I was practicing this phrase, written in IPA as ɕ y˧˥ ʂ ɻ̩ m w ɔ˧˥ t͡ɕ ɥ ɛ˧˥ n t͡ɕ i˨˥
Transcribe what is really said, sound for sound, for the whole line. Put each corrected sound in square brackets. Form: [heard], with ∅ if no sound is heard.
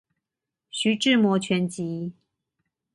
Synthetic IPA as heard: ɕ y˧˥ [ʈ͡ʂ] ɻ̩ m w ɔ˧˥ [t͡ɕʰ] ɥ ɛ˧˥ n t͡ɕ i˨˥